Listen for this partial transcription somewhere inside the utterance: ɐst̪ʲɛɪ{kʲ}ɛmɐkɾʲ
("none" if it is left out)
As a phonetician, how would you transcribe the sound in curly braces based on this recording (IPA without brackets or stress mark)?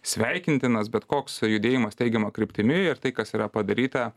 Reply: ɡʲ